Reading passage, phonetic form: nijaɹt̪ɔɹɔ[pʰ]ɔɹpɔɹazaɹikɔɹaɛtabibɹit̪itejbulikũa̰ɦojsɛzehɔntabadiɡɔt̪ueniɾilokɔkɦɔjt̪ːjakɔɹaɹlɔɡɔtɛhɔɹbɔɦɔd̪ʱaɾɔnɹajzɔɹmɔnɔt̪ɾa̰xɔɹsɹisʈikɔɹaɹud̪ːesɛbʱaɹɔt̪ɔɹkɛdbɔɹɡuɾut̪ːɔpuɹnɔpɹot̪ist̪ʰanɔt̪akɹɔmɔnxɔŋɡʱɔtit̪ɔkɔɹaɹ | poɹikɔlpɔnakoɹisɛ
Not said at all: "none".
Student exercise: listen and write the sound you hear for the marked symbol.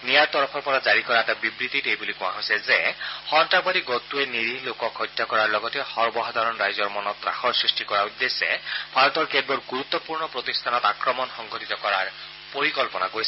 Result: pʰ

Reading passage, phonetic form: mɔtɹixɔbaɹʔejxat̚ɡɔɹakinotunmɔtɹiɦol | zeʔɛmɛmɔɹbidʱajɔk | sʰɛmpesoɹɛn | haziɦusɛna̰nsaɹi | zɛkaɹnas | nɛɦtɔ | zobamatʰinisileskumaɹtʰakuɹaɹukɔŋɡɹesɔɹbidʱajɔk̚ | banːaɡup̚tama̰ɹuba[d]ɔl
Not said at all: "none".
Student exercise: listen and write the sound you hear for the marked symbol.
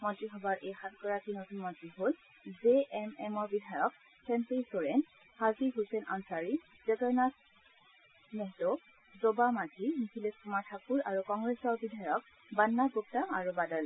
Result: d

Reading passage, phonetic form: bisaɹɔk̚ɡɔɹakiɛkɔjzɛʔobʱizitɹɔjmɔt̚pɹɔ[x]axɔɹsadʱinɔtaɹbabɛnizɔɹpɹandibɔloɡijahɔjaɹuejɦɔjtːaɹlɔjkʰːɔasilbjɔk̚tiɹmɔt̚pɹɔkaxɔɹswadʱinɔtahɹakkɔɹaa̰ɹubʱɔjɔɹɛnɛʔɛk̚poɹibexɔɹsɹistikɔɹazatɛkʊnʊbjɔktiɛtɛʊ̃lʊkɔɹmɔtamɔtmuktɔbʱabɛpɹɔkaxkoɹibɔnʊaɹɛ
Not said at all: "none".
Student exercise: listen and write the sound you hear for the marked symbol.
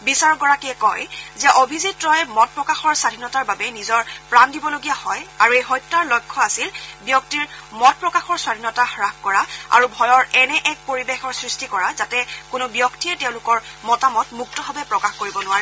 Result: k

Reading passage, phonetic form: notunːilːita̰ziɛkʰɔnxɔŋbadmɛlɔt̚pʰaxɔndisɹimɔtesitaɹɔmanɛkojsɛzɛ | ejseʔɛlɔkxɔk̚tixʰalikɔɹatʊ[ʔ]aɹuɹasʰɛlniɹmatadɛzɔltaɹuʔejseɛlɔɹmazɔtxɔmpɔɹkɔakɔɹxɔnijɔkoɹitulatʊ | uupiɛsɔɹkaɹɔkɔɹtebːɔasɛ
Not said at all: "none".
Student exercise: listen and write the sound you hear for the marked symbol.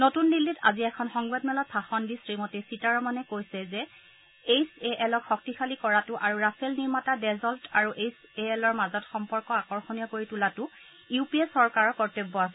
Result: ʔ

